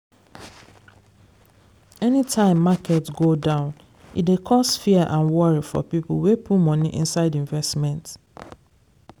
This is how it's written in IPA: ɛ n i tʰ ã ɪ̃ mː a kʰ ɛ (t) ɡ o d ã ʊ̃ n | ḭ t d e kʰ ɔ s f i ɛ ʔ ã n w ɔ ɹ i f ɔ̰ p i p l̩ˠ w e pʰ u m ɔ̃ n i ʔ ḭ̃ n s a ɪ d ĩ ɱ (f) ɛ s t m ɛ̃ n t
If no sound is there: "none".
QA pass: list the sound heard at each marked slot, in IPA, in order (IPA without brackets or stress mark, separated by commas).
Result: t, v